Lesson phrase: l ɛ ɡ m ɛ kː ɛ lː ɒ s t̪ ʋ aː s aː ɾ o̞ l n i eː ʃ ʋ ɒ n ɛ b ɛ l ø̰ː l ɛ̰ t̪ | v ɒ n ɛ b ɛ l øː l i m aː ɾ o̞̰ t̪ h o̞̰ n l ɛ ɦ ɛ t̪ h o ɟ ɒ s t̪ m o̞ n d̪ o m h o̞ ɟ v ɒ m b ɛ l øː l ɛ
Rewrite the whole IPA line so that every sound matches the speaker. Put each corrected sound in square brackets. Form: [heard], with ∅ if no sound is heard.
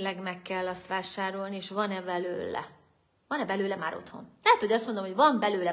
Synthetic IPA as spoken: l ɛ ɡ m ɛ kː ɛ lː ɒ s t̪ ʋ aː [ʃ] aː ɾ o̞ l n i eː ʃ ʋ ɒ n ɛ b ɛ l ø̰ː l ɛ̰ [∅] | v ɒ n ɛ b ɛ l øː l [ɛ] m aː ɾ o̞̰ t̪ h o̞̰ n l ɛ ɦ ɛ t̪ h o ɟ ɒ s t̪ m o̞ n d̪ o m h o̞ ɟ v ɒ m b ɛ l øː l ɛ